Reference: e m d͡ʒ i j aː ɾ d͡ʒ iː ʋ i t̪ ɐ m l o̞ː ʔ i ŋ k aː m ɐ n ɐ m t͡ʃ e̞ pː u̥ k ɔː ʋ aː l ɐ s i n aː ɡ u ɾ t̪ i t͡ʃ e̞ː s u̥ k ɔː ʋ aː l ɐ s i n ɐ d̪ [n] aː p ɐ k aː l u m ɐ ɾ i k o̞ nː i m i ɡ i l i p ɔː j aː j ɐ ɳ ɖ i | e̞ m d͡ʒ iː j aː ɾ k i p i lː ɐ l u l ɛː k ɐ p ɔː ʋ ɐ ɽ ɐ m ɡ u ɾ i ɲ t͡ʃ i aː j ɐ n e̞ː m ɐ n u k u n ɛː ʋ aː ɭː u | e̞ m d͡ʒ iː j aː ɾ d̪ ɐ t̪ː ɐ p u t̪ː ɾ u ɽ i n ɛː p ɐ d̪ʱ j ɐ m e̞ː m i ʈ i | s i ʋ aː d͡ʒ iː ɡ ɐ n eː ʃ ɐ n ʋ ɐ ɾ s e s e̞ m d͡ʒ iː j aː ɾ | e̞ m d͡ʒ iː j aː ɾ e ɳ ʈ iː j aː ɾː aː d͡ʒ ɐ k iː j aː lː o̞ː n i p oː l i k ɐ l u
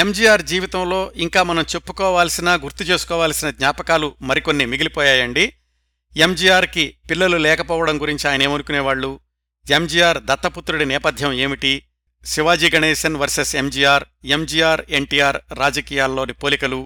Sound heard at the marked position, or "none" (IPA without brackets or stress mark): ɲ